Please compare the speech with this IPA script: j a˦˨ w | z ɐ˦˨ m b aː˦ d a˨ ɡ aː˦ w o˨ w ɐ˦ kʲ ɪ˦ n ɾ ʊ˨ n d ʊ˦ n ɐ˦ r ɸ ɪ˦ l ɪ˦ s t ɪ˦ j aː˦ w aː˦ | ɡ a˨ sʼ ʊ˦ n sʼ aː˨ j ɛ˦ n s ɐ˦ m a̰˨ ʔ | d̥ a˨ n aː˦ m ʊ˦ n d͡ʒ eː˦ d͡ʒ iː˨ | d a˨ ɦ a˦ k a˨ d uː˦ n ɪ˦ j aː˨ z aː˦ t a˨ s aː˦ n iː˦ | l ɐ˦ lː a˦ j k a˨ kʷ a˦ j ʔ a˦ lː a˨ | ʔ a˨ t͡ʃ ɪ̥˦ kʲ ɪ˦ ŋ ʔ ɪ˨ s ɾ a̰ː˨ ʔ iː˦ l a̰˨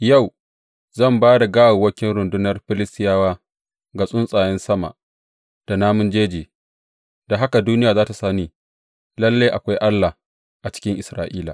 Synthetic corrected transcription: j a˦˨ w | z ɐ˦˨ m b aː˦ d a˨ ɡ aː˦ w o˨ w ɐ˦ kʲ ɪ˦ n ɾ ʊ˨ n d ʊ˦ n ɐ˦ r ɸ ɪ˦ l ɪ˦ s t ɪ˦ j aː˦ w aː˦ | ɡ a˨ sʼ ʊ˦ n sʼ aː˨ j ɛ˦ n s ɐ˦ m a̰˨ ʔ | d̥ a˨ n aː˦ m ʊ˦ n d͡ʒ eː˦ d͡ʒ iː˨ | d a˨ ɦ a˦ k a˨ d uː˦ n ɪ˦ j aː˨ z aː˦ t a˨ s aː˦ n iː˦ | l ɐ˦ lː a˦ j ʔ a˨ kʷ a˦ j ʔ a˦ lː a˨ | ʔ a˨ t͡ʃ ɪ̥˦ kʲ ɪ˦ ŋ ʔ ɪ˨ s ɾ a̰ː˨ ʔ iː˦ l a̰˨